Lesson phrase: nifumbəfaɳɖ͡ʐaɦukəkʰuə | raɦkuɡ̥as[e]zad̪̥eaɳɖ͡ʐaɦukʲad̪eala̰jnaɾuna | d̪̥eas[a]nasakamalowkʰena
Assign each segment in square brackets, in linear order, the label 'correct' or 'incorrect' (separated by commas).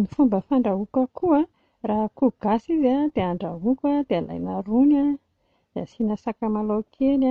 incorrect, incorrect